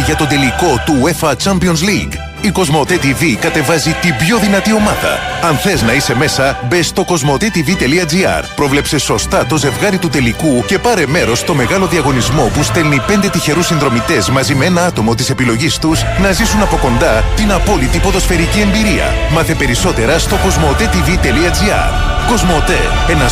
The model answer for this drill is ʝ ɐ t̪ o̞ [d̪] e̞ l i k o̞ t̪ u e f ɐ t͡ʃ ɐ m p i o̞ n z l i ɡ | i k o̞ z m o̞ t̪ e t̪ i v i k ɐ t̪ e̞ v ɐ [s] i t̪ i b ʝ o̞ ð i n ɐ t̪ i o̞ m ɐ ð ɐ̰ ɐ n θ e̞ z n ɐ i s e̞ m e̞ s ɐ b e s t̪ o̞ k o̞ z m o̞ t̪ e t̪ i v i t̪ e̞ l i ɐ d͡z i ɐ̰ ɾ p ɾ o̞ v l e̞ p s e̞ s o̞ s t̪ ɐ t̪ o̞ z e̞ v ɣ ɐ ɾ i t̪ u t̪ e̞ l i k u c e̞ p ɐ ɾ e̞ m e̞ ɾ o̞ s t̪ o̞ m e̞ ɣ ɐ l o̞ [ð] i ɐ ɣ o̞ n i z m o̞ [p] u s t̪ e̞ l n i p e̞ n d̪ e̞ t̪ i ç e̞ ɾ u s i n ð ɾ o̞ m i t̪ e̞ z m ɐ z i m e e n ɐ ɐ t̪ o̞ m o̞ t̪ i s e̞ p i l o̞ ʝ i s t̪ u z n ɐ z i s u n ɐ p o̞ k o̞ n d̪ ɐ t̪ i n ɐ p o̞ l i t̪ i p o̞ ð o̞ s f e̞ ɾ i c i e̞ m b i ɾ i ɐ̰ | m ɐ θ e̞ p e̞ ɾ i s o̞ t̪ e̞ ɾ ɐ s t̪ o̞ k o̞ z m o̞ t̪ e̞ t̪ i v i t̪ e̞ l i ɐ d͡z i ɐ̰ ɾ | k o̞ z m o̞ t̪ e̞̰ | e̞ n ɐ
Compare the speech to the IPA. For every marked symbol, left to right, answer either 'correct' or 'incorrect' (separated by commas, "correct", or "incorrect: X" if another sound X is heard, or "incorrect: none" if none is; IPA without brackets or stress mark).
correct, incorrect: z, correct, correct